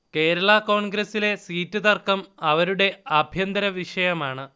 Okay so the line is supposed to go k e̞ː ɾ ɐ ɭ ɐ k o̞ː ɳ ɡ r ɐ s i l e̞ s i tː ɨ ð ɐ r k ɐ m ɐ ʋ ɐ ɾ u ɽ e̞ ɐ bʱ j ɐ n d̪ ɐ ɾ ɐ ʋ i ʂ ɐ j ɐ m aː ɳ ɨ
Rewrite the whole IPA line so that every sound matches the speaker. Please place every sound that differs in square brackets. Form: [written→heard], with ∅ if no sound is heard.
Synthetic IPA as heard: k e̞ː ɾ ɐ ɭ ɐ k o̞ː ɳ ɡ [r→ɾ] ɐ s i l e̞ s [i→iː] tː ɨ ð ɐ r k ɐ m ɐ ʋ ɐ ɾ u ɽ e̞ ɐ bʱ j ɐ n d̪ ɐ ɾ ɐ ʋ i ʂ ɐ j ɐ m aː ɳ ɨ